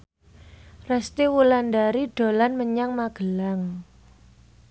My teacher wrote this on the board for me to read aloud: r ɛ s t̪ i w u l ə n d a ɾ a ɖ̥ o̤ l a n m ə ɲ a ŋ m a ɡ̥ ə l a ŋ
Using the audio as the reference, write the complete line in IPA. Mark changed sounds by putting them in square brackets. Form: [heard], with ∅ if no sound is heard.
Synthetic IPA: r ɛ s t̪ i w u l [a] n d a ɾ [i] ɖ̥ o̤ l a n m ə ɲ a ŋ m a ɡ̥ ə l a ŋ